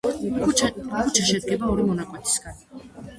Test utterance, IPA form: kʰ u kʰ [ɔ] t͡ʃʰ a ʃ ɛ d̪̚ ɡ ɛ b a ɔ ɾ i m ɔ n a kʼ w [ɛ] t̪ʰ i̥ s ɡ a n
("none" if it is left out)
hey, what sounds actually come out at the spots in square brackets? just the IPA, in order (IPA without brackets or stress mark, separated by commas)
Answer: u, ɛ